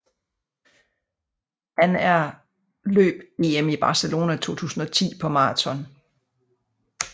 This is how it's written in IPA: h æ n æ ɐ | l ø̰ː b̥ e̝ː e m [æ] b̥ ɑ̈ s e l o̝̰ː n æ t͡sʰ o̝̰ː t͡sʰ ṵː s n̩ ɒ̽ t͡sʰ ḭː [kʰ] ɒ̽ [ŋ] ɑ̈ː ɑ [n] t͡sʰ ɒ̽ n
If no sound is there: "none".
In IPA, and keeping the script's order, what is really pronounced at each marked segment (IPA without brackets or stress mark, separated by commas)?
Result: i, pʰ, m, none